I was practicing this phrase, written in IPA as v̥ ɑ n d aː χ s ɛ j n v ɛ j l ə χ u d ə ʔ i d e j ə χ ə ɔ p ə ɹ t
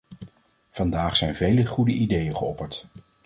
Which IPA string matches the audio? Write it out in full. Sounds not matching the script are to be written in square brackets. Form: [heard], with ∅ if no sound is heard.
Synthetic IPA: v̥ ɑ n d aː χ s ɛ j n v [e] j l ə χ u d ə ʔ i d e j ə χ ə ɔ p ə ɹ t

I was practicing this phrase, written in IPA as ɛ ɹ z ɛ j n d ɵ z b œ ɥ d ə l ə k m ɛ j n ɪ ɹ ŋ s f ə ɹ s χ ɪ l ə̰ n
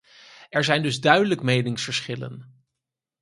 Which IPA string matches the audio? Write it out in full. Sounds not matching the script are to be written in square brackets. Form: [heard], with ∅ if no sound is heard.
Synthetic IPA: ɛ ɹ z ɛ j n d ɵ z [d] œ ɥ d ə l ə k m [e] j n ɪ [∅] ŋ s f ə ɹ s χ ɪ l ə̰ n

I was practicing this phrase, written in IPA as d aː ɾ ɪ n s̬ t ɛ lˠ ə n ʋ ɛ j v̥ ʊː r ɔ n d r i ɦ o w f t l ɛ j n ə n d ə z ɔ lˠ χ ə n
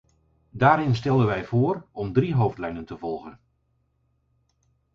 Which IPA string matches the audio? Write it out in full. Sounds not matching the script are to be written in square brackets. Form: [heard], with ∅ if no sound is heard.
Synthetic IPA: d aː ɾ ɪ n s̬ t ɛ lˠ ə n ʋ ɛ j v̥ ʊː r ɔ [m] d r i ɦ o w f t l ɛ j n ə n [t] ə [v] ɔ lˠ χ ə n

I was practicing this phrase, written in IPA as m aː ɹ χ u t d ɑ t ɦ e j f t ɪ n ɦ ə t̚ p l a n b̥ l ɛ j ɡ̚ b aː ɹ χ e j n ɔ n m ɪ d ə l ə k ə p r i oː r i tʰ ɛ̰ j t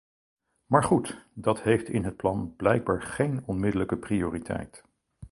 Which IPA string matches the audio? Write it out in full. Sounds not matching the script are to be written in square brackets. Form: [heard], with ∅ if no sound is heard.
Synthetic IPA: m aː ɹ χ u t d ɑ t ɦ e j f t ɪ n ɦ ə t̚ p l [ɑ] n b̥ l ɛ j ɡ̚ b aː ɹ χ e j n ɔ n m ɪ d ə l ə k ə p r i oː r i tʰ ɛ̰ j t

